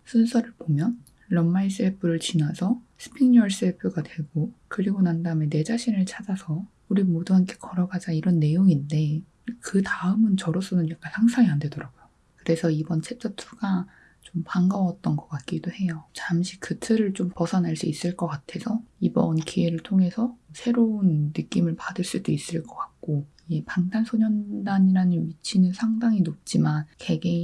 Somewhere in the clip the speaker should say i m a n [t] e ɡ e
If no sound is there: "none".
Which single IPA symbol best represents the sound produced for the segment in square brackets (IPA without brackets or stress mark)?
k